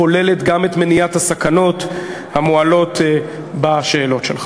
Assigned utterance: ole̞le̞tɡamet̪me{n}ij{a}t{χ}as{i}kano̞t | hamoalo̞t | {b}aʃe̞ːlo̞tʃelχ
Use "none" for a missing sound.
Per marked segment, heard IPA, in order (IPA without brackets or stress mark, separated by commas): n, a, h, a, b